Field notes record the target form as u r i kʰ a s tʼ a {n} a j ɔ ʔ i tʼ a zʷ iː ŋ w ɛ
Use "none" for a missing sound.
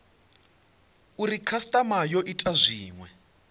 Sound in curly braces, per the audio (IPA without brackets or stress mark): m